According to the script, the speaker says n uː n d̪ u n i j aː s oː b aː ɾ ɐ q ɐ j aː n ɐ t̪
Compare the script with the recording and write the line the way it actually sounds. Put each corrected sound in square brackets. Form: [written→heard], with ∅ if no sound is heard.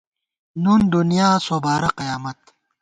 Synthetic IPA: n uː n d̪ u n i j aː s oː b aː ɾ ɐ q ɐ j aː [n→m] ɐ t̪